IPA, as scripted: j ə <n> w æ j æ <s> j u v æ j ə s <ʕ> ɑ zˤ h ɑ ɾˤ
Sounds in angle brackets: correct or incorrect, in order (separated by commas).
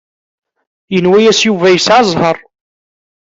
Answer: correct, correct, correct